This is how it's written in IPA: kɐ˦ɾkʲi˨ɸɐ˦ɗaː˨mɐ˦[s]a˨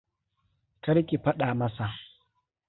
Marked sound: correct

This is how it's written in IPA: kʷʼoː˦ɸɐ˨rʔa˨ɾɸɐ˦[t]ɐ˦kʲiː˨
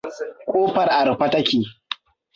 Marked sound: correct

